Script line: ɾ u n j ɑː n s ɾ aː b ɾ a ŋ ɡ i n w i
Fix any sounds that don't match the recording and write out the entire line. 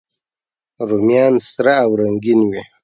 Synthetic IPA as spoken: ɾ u m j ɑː n s ɾ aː w ɾ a ŋ ɡ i n w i